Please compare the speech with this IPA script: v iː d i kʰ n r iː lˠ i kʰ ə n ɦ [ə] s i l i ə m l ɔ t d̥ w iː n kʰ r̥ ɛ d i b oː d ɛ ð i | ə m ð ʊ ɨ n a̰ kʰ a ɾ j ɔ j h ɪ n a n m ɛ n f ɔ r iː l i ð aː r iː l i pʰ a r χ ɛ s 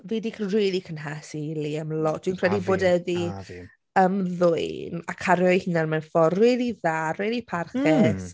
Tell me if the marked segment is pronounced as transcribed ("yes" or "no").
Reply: no